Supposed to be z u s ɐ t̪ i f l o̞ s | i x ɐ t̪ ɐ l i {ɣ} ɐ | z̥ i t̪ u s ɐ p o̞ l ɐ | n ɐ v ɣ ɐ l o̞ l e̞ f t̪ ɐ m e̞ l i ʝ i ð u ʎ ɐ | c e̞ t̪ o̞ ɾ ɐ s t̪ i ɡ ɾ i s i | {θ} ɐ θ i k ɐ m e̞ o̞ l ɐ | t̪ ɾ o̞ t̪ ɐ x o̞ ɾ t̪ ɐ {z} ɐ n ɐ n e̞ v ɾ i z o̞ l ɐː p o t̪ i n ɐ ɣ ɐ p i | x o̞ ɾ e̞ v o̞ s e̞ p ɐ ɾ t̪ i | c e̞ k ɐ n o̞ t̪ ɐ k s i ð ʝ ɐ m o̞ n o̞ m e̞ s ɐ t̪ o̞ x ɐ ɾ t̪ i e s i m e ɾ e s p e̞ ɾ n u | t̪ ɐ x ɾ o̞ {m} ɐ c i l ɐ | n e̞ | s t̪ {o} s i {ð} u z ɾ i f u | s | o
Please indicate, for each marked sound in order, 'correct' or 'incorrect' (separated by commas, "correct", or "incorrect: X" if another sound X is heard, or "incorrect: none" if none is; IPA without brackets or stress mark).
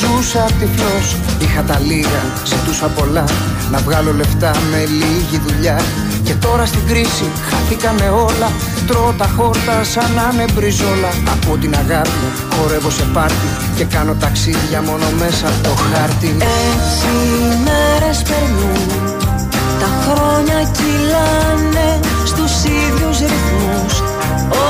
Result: correct, incorrect: x, incorrect: s, incorrect: ɲ, incorrect: u, correct